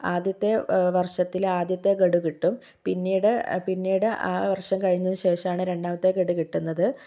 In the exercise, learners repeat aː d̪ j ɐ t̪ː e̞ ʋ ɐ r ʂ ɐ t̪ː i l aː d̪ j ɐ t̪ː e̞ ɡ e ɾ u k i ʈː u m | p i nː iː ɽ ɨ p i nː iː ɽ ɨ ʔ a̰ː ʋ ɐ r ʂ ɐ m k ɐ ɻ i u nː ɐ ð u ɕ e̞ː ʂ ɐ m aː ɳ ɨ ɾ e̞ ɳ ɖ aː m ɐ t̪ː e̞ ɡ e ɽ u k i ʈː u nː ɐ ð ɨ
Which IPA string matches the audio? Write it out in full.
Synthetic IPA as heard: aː d̪ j ɐ t̪ː e̞ ʋ ɐ r ʂ ɐ t̪ː i l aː d̪ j ɐ t̪ː e̞ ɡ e ɽ u k i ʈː u m | p i nː iː ɽ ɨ p i nː iː ɽ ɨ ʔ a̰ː ʋ ɐ r ʂ ɐ m k ɐ ɻ i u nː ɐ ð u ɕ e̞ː ʂ ɐ m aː ɳ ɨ ɾ e̞ ɳ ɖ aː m ɐ t̪ː e̞ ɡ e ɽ u k i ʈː u nː ɐ ð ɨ